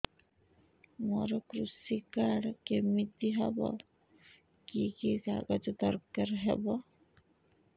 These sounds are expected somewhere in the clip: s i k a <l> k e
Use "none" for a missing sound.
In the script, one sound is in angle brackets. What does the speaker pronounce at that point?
ɽ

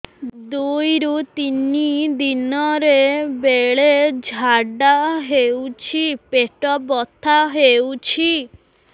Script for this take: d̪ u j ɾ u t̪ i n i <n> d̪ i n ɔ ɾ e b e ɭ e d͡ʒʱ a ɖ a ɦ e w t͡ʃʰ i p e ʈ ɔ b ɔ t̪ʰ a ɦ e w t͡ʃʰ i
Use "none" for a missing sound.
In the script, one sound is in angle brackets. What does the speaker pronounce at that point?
none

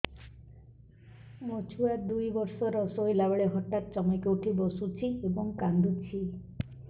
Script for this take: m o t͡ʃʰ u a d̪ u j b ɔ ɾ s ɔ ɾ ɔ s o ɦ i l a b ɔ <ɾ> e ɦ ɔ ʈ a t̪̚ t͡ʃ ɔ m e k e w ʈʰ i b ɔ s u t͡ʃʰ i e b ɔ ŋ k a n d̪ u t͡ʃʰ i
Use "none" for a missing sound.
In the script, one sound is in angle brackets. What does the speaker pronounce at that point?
ɭ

